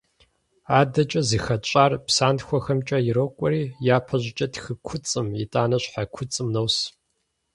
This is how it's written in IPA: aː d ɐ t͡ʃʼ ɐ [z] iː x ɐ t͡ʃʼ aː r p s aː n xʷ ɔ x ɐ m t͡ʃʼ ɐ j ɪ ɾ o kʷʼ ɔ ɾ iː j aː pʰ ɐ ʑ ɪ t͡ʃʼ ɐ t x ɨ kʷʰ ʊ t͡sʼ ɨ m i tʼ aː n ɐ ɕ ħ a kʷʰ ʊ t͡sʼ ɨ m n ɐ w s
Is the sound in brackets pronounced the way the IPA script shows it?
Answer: yes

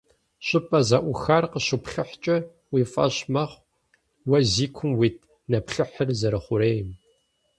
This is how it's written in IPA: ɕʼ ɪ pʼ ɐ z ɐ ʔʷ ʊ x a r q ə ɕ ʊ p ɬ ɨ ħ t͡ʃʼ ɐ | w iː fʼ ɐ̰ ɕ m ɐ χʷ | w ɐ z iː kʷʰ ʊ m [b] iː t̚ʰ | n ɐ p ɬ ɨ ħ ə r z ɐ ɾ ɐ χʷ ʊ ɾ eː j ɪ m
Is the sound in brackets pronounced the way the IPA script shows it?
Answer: no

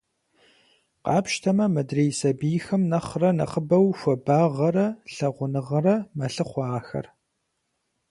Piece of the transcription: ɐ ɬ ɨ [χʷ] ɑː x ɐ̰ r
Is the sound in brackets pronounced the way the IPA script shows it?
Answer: yes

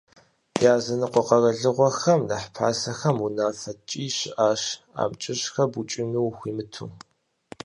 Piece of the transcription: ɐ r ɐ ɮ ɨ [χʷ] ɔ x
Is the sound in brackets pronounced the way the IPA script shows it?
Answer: no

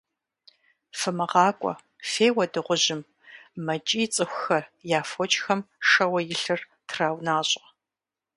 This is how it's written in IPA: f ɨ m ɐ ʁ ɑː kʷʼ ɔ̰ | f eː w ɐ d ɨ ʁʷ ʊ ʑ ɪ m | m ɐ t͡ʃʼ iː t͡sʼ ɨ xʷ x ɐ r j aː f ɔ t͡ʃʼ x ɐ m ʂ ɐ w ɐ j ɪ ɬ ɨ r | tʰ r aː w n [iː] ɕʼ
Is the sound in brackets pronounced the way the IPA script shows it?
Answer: no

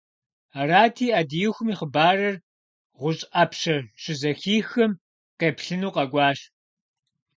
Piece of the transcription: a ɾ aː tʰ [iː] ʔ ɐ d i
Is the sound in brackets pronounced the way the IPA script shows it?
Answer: yes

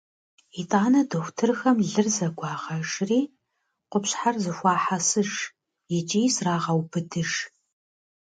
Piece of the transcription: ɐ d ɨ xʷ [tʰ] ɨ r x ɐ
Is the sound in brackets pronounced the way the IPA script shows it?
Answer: yes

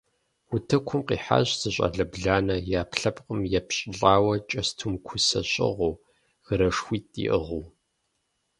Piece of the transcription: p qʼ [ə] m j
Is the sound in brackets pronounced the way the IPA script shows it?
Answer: yes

